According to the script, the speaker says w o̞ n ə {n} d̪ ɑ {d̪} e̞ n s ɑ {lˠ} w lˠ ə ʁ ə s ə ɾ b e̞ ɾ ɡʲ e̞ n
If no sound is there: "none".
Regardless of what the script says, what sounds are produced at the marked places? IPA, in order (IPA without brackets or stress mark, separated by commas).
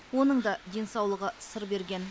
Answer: ɴ, d̪, none